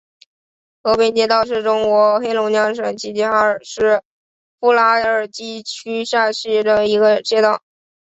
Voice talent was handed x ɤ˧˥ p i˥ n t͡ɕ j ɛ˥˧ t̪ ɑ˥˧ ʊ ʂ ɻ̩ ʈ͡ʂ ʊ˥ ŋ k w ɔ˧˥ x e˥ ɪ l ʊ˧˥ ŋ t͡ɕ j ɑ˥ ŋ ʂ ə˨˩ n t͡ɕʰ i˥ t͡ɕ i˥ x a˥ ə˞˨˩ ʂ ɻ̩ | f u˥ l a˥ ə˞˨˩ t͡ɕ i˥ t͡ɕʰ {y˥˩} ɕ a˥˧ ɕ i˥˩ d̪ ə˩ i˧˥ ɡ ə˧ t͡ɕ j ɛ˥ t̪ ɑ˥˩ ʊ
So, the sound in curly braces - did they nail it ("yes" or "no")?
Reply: no